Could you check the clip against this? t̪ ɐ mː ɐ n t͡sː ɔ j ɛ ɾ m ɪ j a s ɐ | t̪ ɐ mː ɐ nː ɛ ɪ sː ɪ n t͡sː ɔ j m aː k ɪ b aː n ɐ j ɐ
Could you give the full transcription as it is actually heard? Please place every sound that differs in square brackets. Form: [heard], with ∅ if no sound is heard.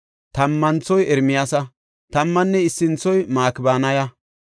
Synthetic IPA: t̪ ɐ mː ɐ n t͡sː ɔ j ɛ ɾ m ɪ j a s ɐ | t̪ ɐ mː ɐ nː ɛ ɪ sː ɪ n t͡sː ɔ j m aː k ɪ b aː n ɐ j ɐ

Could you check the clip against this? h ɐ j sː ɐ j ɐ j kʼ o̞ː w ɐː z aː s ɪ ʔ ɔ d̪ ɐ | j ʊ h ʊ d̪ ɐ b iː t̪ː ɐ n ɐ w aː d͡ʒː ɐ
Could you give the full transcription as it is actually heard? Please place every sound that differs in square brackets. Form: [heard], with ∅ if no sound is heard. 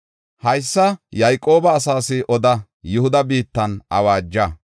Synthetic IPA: h ɐ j sː ɐ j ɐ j kʼ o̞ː [b] ɐː [s] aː s ɪ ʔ ɔ d̪ ɐ | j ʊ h ʊ d̪ ɐ b iː t̪ː ɐ n ɐ w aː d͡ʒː ɐ

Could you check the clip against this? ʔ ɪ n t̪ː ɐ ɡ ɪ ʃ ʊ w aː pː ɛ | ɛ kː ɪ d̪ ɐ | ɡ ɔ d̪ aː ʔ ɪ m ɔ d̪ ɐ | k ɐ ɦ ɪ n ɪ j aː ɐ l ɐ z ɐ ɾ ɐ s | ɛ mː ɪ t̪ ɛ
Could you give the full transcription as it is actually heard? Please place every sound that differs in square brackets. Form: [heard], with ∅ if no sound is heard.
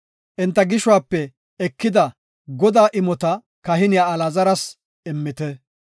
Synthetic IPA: ʔ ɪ n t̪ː ɐ ɡ ɪ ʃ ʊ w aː pː ɛ | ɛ kː ɪ d̪ ɐ | ɡ ɔ d̪ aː ʔ ɪ m ɔ [t̪] ɐ | k ɐ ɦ ɪ n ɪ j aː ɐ l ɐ z ɐ ɾ ɐ s | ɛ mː ɪ t̪ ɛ

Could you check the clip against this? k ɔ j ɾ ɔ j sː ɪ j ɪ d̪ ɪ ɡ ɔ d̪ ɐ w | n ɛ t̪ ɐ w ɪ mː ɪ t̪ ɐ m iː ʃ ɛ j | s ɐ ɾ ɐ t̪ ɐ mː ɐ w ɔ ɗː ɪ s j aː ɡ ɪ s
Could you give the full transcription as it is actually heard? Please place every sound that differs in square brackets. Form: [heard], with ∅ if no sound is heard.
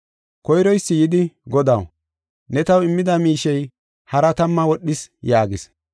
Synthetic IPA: k ɔ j ɾ ɔ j sː ɪ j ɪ d̪ ɪ ɡ ɔ d̪ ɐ w | n ɛ t̪ ɐ w ɪ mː ɪ [d̪] ɐ m iː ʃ ɛ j | [h] ɐ ɾ ɐ t̪ ɐ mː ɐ w ɔ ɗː ɪ s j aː ɡ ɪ s

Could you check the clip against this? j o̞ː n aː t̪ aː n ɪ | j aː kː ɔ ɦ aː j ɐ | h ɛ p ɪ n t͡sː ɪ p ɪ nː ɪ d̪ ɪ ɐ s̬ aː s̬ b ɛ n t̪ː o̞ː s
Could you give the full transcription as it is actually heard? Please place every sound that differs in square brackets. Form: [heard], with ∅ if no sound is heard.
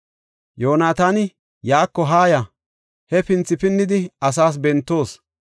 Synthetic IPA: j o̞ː n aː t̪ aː n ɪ | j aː kː ɔ ɦ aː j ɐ | h ɛ p ɪ n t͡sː ɪ p ɪ nː ɪ d̪ ɪ ɐ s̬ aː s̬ b ɛ n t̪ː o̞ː s

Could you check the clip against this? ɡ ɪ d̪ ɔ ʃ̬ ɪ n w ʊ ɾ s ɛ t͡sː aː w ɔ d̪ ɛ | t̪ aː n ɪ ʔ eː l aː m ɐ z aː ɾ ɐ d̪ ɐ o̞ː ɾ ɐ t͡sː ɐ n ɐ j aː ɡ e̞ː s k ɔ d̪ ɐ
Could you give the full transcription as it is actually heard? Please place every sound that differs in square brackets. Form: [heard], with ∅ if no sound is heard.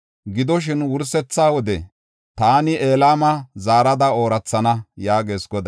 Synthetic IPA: ɡ ɪ d̪ ɔ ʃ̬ ɪ n w ʊ ɾ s ɛ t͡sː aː w ɔ d̪ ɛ | t̪ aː n ɪ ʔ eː l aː m ɐ z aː ɾ ɐ d̪ ɐ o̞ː ɾ ɐ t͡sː ɐ n ɐ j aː ɡ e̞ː s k ɔ d̪ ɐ

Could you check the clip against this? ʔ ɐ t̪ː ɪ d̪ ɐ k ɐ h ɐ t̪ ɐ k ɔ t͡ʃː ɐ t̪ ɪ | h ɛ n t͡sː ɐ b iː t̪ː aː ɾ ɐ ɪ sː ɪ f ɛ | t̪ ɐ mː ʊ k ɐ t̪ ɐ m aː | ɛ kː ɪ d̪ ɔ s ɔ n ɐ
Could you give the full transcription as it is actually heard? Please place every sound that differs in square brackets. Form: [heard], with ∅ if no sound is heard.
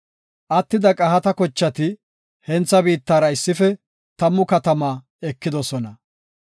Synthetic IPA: ʔ ɐ t̪ː ɪ d̪ ɐ [kʼ] ɐ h ɐ t̪ ɐ k ɔ t͡ʃː ɐ t̪ ɪ | h ɛ n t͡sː ɐ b iː t̪ː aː ɾ ɐ ɪ sː ɪ f ɛ | t̪ ɐ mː ʊ k ɐ t̪ ɐ m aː | ɛ kː ɪ d̪ ɔ s ɔ n ɐ

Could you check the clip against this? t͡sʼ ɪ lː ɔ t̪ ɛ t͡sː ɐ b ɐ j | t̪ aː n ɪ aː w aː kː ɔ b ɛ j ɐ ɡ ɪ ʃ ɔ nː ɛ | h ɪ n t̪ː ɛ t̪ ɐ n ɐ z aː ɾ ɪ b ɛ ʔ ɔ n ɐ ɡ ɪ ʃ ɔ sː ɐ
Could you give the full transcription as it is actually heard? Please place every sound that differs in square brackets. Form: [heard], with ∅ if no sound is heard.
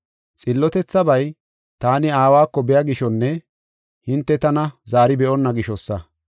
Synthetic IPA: t͡sʼ ɪ lː ɔ t̪ ɛ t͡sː ɐ b ɐ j | t̪ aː n ɪ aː w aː kː ɔ b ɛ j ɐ ɡ ɪ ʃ ɔ nː ɛ | h ɪ n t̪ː ɛ t̪ ɐ n ɐ z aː ɾ ɪ b ɛ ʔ ɔ [nː] ɐ ɡ ɪ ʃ ɔ sː ɐ

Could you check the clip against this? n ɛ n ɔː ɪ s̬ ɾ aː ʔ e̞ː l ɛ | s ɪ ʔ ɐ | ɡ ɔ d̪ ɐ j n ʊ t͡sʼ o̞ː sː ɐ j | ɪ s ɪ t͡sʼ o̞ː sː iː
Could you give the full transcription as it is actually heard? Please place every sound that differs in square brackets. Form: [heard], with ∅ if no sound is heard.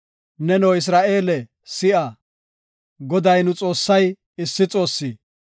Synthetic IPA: n ɛ n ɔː ɪ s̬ ɾ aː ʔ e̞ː l ɛ | s ɪ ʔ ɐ | ɡ ɔ d̪ ɐ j n ʊ t͡sʼ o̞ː sː ɐ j | ɪ [sː] ɪ t͡sʼ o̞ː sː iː

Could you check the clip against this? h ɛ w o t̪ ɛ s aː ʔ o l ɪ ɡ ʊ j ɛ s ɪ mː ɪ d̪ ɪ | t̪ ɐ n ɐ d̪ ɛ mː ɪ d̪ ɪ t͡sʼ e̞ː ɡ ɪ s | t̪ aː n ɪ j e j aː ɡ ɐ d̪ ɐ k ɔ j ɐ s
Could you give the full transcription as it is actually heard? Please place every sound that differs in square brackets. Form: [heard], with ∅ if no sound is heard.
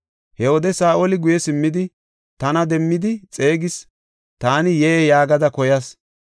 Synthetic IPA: h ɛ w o [d̪] ɛ s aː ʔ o l ɪ ɡ ʊ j ɛ s ɪ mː ɪ d̪ ɪ | t̪ ɐ n ɐ d̪ ɛ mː ɪ d̪ ɪ t͡sʼ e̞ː ɡ ɪ s | t̪ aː n ɪ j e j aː ɡ ɐ d̪ ɐ k ɔ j ɐ s

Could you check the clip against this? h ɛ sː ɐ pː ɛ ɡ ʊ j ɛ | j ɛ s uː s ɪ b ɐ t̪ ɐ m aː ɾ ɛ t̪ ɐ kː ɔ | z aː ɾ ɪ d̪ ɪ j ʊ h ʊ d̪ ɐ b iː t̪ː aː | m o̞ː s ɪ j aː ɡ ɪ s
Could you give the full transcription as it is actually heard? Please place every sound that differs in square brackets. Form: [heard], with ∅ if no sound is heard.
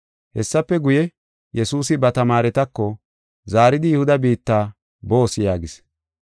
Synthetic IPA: h ɛ sː ɐ pː ɛ ɡ ʊ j ɛ | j ɛ s uː s ɪ b ɐ t̪ ɐ m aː ɾ ɛ t̪ ɐ kː ɔ | z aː ɾ ɪ d̪ ɪ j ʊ h ʊ d̪ ɐ b iː t̪ː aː | [b] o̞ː s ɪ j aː ɡ ɪ s

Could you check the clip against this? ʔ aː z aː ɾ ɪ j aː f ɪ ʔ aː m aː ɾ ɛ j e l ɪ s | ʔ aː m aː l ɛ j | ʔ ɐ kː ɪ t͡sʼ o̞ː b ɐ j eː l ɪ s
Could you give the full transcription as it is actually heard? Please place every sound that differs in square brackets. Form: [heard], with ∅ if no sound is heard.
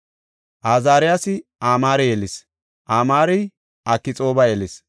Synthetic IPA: ʔ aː z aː ɾ ɪ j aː [s] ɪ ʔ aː m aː ɾ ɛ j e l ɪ s | ʔ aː m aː [ɾ] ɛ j | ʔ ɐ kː ɪ t͡sʼ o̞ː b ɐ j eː l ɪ s

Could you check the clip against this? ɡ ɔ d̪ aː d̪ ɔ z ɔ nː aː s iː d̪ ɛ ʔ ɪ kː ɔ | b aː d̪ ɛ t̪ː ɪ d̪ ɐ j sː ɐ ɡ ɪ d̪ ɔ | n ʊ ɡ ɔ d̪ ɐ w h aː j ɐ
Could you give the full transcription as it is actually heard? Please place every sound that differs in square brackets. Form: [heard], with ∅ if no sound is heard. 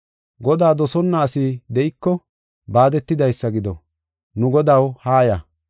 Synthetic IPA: ɡ ɔ d̪ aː d̪ ɔ [s] ɔ nː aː s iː d̪ ɛ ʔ ɪ kː ɔ | b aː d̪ ɛ t̪ː ɪ d̪ ɐ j sː ɐ ɡ ɪ d̪ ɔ | n ʊ ɡ ɔ d̪ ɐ w h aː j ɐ

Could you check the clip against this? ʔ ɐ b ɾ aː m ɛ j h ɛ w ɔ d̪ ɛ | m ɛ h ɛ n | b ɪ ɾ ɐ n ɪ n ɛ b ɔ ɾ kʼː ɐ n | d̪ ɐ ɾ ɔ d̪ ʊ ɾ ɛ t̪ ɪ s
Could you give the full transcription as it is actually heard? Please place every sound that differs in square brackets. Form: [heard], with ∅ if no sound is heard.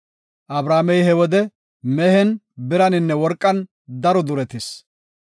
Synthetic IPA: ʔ ɐ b ɾ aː m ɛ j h ɛ w ɔ d̪ ɛ | m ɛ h ɛ n | b ɪ ɾ ɐ n ɪ [nː] ɛ [w] ɔ ɾ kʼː ɐ n | d̪ ɐ ɾ ɔ d̪ ʊ ɾ ɛ t̪ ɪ s

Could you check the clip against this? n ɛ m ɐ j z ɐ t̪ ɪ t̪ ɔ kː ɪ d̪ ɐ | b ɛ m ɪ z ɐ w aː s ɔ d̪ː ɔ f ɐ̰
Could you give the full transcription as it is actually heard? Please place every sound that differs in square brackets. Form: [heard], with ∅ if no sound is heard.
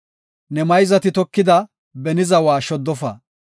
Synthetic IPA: n ɛ m ɐ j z ɐ t̪ ɪ t̪ ɔ kː ɪ d̪ ɐ | b ɛ [n] ɪ z ɐ w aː [ʃ] ɔ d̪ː ɔ f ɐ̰

